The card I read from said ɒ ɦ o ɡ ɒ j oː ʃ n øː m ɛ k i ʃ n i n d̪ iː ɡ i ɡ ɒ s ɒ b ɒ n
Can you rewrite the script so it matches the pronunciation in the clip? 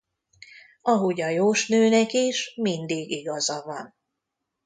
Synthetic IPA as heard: ɒ ɦ o ɟ ɒ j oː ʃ n øː n ɛ k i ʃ m i n d̪ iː ɡ i ɡ ɒ z ɒ v ɒ n